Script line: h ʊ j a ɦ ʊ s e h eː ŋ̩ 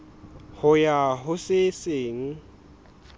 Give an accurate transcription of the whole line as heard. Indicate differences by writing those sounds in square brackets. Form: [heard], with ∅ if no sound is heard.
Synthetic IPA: h ʊ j a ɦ ʊ s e [s] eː ŋ̩